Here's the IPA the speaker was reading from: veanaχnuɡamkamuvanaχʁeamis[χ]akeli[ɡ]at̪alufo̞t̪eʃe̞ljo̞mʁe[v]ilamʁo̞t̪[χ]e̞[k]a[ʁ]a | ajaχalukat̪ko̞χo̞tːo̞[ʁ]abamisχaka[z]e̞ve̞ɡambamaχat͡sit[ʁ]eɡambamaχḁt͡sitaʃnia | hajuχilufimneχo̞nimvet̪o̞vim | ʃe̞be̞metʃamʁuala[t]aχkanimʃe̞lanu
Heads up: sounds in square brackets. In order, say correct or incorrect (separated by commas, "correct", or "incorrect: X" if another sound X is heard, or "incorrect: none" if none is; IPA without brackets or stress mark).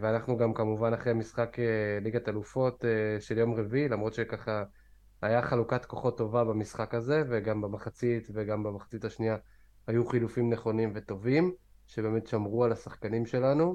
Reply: correct, correct, correct, incorrect: ʃ, correct, incorrect: χ, incorrect: v, correct, incorrect: v, incorrect: s